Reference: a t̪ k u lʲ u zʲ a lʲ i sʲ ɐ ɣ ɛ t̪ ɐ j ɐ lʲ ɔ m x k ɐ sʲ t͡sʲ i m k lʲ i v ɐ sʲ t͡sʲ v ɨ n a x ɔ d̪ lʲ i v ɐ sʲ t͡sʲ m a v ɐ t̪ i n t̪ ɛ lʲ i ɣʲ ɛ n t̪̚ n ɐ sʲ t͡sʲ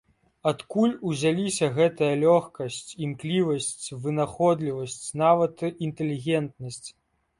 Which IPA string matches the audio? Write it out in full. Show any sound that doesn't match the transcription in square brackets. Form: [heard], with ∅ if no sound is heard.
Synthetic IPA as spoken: a t̪ k u lʲ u zʲ a lʲ i sʲ ɐ ɣ ɛ t̪ ɐ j ɐ lʲ ɔ [∅] x k ɐ sʲ t͡sʲ i m k lʲ i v ɐ sʲ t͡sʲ v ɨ n a x ɔ d̪ lʲ i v ɐ sʲ t͡sʲ [n] a v ɐ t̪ i n t̪ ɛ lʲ i ɣʲ ɛ n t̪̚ n ɐ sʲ t͡sʲ